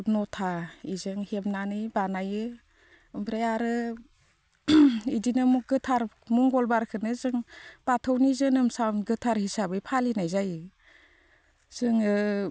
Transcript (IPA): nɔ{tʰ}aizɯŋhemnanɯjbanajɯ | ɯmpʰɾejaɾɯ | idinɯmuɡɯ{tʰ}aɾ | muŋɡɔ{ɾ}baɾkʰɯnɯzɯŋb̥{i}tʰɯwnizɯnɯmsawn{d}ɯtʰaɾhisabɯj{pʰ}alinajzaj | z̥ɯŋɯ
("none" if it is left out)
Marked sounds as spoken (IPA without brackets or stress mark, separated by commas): tʰ, tʰ, l, a, ɡ, pʰ